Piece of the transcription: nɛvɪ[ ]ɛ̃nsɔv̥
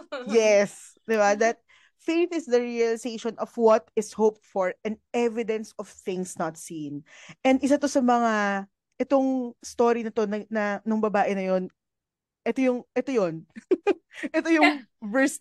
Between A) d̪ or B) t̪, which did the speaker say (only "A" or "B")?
A